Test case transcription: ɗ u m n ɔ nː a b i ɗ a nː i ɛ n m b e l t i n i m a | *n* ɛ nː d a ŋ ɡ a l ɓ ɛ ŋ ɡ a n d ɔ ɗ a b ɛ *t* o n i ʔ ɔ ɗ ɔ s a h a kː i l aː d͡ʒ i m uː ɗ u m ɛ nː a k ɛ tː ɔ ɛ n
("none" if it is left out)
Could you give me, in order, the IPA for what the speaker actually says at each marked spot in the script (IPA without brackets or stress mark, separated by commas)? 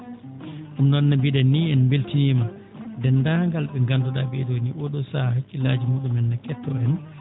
d, d